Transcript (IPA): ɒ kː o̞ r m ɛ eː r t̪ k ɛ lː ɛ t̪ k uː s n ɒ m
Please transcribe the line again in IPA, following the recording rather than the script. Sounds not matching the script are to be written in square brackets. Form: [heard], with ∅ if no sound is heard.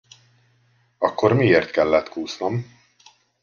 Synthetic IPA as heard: ɒ kː o̞ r m [i] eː r t̪ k ɛ lː ɛ t̪ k uː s n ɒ m